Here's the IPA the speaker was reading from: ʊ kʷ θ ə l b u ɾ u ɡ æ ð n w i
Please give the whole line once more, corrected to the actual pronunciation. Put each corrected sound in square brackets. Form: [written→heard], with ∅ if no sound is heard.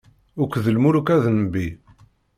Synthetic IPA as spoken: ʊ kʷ [θ→ð] ə l [b→m] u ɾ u [ɡ→k] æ ð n [w→b] i